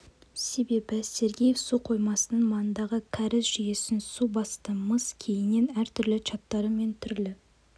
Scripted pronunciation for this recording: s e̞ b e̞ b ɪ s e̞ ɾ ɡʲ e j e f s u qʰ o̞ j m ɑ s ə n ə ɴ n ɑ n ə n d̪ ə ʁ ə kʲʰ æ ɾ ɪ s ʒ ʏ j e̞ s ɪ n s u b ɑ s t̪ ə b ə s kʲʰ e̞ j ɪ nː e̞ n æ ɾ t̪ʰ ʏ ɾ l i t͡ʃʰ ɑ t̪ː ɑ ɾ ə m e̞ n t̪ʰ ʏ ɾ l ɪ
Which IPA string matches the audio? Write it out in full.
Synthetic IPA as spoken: s e̞ b e̞ b ɪ s e̞ ɾ ɡʲ e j e f s u qʰ o̞ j m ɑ s ə n ə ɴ m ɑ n ə n d̪ ɑ ʁ ə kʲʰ æ ɾ ɪ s ʒ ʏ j e̞ s ɪ n s u b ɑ s t̪ ə m ə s kʲʰ e̞ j ɪ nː e̞ n æ ɾ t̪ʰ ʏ ɾ l ɪ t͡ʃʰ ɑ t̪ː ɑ ɾ ə m e̞ n t̪ʰ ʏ ɾ l ɪ